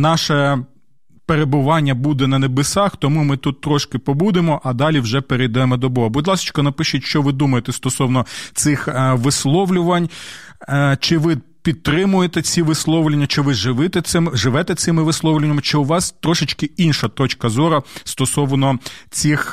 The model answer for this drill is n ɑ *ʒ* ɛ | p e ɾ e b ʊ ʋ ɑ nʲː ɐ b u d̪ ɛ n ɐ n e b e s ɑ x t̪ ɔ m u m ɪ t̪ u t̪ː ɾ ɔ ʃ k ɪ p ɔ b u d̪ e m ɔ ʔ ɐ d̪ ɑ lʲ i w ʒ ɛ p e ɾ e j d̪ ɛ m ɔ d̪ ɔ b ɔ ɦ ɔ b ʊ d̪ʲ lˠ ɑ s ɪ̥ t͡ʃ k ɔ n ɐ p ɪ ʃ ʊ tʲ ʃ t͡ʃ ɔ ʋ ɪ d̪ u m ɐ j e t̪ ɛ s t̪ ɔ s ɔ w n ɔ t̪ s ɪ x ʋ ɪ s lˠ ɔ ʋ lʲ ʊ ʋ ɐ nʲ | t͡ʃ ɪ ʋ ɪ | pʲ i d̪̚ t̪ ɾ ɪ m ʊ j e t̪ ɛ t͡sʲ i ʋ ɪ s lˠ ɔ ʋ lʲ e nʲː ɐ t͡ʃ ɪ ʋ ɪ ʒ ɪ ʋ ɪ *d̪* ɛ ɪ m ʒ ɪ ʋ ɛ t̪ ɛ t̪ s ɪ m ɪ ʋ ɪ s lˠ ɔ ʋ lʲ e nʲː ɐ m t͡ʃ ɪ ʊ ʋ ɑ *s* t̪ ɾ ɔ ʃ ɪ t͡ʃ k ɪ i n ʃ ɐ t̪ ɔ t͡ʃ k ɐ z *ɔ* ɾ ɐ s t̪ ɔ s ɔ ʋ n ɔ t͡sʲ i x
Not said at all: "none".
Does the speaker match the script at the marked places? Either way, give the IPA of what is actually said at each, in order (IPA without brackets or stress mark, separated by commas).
ʃ, t̪, s, ɔ